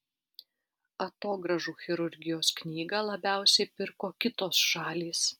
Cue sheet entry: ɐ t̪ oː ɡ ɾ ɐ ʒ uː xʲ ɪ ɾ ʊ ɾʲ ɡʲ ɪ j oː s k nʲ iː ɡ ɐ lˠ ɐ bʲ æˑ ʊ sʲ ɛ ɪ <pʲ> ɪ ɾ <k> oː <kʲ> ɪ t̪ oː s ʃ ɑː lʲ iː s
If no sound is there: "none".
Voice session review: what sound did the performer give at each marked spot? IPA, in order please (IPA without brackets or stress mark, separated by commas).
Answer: pʲ, k, kʲ